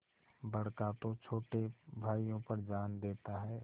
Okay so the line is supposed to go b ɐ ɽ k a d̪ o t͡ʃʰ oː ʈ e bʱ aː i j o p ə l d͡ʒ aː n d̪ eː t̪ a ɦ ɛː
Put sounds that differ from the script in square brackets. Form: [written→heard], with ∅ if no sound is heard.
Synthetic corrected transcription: b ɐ ɽ k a [d̪→t̪] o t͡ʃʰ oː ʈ e bʱ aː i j [o→õ] p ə [l→ɾ] d͡ʒ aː n d̪ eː t̪ a ɦ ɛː